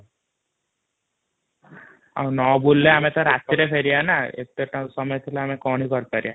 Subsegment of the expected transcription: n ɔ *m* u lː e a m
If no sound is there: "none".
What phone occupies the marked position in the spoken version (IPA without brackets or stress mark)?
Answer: b